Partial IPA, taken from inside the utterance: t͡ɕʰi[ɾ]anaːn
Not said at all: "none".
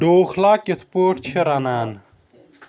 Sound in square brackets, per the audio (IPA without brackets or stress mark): ɾ